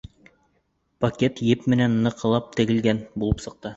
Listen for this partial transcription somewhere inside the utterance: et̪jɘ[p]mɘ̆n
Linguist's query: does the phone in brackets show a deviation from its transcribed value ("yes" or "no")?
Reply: no